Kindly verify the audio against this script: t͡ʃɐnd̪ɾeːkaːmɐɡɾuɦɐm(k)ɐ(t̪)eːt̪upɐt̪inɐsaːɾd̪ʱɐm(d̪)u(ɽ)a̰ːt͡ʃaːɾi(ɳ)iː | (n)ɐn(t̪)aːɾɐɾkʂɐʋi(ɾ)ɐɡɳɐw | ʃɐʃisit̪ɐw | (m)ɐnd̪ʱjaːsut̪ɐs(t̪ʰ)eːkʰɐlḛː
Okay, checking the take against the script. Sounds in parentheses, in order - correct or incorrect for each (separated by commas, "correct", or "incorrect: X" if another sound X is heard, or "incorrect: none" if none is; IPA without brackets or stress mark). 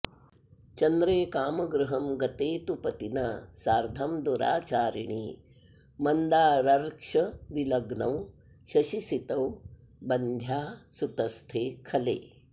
incorrect: ɡ, correct, correct, incorrect: ɾ, correct, incorrect: m, incorrect: d̪, incorrect: l, incorrect: b, correct